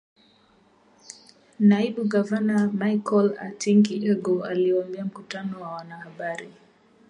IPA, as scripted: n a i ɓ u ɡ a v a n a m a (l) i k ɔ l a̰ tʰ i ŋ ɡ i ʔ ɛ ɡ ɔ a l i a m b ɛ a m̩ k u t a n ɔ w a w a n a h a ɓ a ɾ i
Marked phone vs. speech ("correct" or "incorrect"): incorrect